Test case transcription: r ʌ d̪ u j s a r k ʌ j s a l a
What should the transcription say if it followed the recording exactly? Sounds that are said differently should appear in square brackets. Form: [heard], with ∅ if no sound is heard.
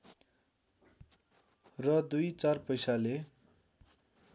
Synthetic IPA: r ʌ d̪ u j [t͡s] a r [p] ʌ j s a l [e]